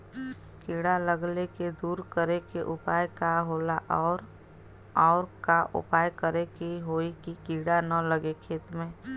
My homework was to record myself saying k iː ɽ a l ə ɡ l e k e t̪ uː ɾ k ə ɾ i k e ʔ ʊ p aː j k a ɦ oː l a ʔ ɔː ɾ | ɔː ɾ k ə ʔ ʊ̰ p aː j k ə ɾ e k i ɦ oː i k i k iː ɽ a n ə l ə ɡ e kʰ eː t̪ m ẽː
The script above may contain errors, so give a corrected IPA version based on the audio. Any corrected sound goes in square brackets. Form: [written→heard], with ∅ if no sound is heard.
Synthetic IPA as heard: k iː ɽ a l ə ɡ l e k e [t̪→d̪] uː ɾ k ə ɾ [i→e] k e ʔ ʊ p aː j k a ɦ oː l a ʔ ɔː ɾ | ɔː ɾ k [ə→a] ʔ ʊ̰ p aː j k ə ɾ e k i ɦ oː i k i k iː ɽ a n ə l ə ɡ e kʰ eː t̪ m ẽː